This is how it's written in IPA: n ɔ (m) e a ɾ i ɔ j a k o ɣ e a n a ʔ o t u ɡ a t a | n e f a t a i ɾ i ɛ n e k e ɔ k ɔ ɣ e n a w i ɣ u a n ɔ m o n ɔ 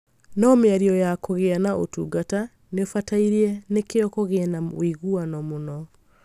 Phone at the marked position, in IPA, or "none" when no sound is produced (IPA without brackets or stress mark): m